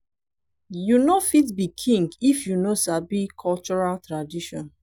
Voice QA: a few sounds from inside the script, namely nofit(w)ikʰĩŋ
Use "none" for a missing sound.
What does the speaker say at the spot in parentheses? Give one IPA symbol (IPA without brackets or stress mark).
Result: b